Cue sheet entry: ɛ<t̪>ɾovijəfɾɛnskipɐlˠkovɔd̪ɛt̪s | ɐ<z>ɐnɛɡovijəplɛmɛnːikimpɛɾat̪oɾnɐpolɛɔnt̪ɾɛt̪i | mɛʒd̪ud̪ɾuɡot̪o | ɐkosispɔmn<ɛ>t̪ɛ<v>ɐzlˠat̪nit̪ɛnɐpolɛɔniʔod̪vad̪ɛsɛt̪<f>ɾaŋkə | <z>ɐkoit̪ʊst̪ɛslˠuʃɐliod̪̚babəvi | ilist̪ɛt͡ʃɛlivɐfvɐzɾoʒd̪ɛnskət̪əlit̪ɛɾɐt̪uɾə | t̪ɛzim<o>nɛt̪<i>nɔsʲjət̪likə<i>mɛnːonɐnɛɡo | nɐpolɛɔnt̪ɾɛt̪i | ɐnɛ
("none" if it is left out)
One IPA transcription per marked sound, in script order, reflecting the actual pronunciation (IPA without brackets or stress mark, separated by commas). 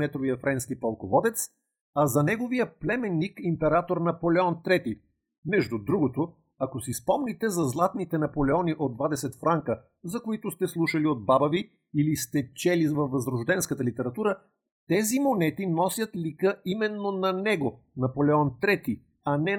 t̪, z, i, z, f, z, o, i, i